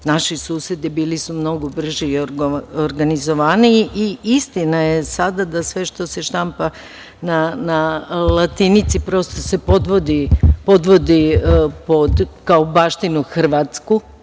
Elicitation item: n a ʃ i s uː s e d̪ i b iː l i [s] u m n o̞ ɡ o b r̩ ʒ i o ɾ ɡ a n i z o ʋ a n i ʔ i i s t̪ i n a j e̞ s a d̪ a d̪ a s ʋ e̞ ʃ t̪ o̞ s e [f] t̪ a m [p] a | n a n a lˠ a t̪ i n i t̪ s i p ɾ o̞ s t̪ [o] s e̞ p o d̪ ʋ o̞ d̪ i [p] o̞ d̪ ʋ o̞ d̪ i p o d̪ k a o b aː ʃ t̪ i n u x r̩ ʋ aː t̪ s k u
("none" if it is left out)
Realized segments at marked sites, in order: s, ʃ, p, o, p

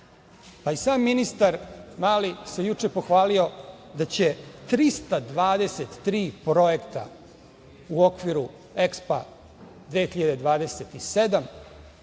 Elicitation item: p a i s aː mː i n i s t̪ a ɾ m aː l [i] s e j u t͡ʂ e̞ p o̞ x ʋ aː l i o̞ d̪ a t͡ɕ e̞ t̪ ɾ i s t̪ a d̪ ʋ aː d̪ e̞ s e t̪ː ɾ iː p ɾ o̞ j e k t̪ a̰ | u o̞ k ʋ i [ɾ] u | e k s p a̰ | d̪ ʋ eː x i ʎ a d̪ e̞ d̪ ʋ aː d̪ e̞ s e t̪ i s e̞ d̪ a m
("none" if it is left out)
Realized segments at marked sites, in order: i, ɾ

